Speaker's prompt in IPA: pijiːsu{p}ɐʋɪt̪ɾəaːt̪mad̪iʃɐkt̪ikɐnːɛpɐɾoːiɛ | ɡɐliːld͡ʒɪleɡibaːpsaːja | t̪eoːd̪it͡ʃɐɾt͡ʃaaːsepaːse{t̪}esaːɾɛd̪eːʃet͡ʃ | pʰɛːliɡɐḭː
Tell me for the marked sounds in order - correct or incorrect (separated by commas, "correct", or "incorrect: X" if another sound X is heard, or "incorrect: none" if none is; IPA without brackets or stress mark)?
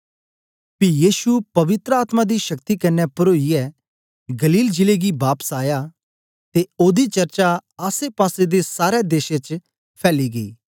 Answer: correct, incorrect: d̪